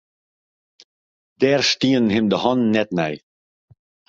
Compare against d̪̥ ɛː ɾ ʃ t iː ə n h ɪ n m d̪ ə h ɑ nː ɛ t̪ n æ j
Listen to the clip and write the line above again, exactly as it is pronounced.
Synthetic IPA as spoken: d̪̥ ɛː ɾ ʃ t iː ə n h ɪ m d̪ ə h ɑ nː ɛ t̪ n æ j